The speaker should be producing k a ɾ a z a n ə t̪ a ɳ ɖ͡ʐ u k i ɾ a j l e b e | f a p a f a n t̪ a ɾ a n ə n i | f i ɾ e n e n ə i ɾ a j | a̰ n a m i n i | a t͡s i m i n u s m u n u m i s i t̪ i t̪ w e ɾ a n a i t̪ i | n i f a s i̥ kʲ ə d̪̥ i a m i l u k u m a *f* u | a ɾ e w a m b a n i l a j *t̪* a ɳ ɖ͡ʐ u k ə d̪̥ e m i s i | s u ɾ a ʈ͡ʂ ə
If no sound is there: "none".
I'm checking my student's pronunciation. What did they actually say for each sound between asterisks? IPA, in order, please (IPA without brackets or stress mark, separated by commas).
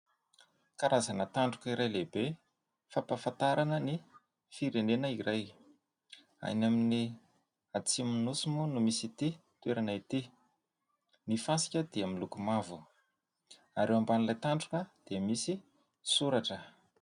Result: v, t̪